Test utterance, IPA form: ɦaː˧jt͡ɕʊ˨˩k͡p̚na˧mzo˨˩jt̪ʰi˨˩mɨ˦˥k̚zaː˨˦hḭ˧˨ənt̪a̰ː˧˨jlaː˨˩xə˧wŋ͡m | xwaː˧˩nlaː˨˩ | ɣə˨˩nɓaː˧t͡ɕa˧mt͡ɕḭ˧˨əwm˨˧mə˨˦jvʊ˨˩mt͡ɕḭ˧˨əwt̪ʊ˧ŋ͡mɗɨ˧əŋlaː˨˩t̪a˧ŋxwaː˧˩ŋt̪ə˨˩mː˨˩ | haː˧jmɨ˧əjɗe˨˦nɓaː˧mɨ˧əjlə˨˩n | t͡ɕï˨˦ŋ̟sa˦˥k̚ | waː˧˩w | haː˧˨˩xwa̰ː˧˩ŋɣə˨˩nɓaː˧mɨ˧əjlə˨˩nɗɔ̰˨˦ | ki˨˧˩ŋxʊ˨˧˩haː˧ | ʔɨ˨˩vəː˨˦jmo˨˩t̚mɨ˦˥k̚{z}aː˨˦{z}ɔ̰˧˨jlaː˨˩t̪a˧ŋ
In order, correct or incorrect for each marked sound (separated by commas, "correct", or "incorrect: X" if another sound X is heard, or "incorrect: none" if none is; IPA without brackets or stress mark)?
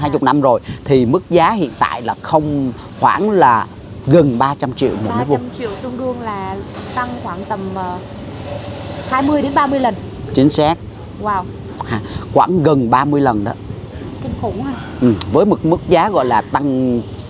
correct, incorrect: ɣ